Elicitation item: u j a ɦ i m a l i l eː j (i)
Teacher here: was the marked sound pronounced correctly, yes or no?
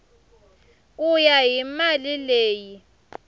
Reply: yes